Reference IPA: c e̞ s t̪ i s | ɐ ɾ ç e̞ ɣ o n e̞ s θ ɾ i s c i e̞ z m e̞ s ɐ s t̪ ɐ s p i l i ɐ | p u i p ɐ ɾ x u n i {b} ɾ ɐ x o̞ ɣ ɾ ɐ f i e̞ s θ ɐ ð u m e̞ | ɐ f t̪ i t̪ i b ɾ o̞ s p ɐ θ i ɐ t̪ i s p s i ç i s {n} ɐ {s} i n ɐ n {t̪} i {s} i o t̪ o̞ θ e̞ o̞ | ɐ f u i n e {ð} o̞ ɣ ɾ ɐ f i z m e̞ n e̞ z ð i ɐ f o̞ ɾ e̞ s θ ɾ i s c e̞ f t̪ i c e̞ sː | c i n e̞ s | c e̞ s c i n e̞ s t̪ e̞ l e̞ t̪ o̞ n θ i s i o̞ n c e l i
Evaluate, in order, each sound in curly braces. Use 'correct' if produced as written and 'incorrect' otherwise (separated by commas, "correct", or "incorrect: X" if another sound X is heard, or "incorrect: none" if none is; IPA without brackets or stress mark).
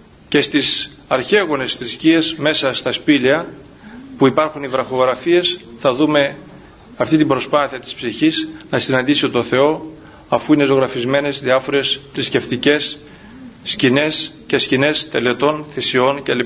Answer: incorrect: v, correct, correct, incorrect: d̪, correct, incorrect: z